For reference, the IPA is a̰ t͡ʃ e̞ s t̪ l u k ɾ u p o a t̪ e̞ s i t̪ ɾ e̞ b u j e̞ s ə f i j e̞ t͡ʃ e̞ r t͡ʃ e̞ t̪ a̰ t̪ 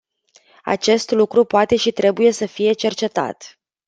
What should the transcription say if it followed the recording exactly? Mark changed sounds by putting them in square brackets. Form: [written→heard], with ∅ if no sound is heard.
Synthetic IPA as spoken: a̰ t͡ʃ e̞ s t̪ l u k ɾ u p o a t̪ e̞ [s→ʃ] i t̪ ɾ e̞ b u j e̞ s ə f i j e̞ t͡ʃ e̞ r t͡ʃ e̞ t̪ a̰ t̪